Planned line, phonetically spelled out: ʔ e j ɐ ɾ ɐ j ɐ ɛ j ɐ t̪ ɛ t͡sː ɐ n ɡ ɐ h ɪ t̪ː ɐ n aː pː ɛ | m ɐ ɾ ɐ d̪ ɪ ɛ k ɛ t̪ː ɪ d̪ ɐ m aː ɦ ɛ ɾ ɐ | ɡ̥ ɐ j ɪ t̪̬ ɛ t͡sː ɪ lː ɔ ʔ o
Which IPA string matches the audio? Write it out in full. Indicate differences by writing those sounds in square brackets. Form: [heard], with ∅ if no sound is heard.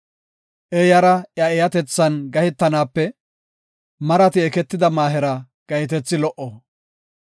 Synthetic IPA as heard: ʔ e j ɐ ɾ ɐ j ɐ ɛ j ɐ t̪ ɛ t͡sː ɐ n ɡ ɐ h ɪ t̪ː ɐ n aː pː ɛ | m ɐ ɾ ɐ [t̪] ɪ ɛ k ɛ t̪ː ɪ d̪ ɐ m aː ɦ ɛ ɾ ɐ | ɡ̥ ɐ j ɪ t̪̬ ɛ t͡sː ɪ [l] ɔ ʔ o